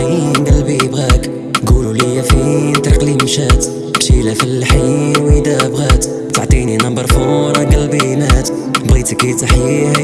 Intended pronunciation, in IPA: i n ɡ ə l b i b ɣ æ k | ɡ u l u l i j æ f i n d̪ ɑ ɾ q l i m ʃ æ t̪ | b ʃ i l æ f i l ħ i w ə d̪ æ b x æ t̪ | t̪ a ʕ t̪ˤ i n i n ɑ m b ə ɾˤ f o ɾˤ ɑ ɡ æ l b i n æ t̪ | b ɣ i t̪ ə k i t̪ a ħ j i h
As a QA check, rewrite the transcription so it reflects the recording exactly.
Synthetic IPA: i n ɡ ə l b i b ɣ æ k | ɡ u l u l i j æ f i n t̪ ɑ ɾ q l i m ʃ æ t̪ | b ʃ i l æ f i l ħ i w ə d̪ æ b ɣ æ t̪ | t̪ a ʕ t̪ˤ i n i n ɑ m b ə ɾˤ f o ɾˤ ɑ ɡ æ l b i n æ t̪ | b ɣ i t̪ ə k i t̪ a ħ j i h